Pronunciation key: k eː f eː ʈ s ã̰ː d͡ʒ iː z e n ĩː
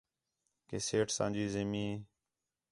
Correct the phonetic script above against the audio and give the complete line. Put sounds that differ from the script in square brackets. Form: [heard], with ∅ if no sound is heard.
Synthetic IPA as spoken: k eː [s] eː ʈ s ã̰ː d͡ʒ iː z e [m] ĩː